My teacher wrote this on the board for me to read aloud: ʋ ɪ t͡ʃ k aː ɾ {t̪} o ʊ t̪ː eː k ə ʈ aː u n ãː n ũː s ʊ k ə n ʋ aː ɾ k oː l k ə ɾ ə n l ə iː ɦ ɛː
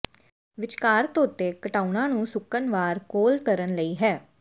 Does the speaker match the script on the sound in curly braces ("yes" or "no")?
yes